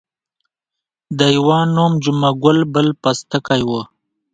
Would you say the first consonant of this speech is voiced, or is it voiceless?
voiced